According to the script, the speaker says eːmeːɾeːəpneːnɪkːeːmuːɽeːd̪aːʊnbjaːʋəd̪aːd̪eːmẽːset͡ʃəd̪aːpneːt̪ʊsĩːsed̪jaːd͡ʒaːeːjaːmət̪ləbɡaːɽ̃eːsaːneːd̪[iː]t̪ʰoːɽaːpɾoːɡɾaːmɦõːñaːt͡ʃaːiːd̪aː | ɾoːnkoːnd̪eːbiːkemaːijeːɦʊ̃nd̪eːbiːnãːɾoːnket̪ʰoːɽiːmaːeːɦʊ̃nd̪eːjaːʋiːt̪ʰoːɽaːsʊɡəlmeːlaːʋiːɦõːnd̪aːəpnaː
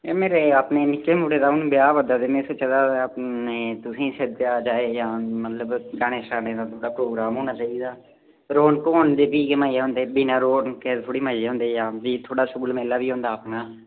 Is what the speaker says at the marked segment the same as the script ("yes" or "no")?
no